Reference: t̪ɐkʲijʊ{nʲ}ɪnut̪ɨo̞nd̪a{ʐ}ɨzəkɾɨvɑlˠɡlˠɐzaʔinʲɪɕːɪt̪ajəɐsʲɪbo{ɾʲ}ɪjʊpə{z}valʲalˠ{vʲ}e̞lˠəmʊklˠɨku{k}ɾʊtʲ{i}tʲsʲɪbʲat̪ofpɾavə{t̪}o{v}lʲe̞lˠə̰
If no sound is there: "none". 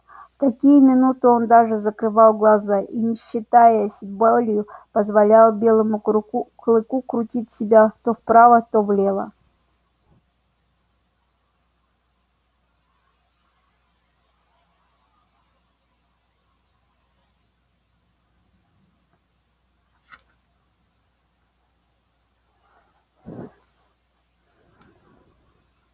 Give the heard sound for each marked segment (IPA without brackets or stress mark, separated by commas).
mʲ, ʐ, lʲ, z, bʲ, k, i, t̪, v